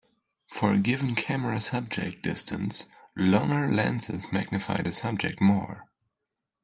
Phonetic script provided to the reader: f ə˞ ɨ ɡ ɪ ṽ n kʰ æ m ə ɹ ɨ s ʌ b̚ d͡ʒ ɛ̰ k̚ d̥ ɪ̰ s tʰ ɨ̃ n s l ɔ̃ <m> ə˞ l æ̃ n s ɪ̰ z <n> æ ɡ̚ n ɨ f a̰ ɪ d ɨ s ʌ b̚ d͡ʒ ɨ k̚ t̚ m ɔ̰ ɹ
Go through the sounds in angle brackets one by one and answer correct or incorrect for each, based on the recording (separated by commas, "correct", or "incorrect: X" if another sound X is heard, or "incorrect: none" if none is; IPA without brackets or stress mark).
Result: incorrect: ŋ, incorrect: m